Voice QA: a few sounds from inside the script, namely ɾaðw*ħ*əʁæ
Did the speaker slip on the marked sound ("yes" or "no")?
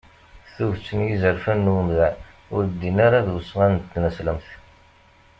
yes